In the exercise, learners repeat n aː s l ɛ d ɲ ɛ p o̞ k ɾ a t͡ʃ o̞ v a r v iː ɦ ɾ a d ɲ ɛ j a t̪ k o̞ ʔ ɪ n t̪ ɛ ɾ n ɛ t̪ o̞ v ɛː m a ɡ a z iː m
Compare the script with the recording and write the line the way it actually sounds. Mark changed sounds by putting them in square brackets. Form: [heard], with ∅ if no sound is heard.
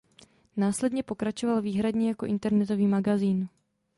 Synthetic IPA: n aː s l ɛ d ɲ ɛ p o̞ k ɾ a t͡ʃ o̞ v a [l] v iː ɦ ɾ a d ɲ ɛ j a [∅] k o̞ ʔ ɪ n t̪ ɛ ɾ n ɛ t̪ o̞ v [iː] m a ɡ a z iː [n]